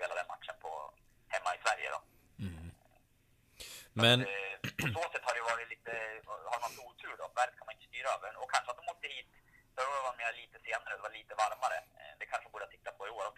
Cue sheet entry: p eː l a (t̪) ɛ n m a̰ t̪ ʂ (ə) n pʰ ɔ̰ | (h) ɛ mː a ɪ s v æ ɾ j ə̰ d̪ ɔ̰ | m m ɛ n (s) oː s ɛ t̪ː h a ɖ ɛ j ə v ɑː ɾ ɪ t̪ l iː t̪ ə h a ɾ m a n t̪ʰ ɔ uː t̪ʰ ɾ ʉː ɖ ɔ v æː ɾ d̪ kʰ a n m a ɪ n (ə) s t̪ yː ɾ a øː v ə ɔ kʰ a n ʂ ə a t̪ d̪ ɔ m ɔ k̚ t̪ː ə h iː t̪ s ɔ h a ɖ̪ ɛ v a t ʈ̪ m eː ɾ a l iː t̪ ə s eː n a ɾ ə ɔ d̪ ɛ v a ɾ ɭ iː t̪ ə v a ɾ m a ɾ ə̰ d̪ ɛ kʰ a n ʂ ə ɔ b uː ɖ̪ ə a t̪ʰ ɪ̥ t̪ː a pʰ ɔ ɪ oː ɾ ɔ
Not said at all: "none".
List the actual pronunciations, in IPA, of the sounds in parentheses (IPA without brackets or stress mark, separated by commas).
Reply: d̪, ə, h, s, ə